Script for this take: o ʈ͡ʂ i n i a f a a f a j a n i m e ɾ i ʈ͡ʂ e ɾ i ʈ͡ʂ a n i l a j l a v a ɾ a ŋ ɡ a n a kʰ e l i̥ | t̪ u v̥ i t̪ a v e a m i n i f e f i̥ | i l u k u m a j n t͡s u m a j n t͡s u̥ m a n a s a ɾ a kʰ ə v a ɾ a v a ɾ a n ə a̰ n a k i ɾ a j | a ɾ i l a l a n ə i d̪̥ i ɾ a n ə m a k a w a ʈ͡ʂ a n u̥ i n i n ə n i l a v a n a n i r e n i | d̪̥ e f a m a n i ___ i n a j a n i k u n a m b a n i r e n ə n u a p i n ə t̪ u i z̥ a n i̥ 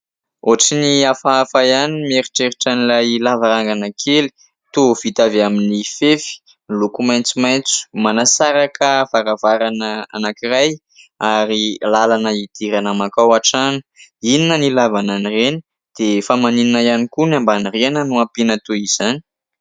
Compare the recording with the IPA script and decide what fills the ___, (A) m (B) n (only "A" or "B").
B